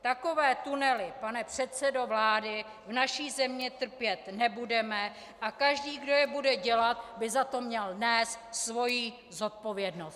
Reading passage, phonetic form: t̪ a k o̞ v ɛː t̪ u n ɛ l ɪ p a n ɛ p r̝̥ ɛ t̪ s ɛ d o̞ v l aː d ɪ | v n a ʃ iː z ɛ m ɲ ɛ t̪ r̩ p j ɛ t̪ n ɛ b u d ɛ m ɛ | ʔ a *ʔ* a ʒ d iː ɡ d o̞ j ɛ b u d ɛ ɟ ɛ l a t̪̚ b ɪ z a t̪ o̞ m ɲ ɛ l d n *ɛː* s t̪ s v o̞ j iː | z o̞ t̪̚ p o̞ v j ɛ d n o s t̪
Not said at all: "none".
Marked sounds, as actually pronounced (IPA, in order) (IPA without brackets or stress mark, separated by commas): k, ɛː